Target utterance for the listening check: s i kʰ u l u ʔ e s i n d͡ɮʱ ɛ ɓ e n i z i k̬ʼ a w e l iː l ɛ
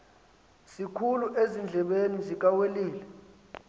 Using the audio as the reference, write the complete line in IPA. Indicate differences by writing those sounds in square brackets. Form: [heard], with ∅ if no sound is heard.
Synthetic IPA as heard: s i kʰ u l u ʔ e [z] i n d͡ɮʱ ɛ ɓ e n i z i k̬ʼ a w e l iː l ɛ